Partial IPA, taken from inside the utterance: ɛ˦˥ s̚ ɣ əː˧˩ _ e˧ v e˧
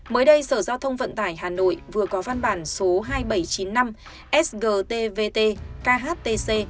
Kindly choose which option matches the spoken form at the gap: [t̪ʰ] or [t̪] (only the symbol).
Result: t̪